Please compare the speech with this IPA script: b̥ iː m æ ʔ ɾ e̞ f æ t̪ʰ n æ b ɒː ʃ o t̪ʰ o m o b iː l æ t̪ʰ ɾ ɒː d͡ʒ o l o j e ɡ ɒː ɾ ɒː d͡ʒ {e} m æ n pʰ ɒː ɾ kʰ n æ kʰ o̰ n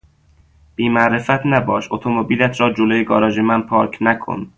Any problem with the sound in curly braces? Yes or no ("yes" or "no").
no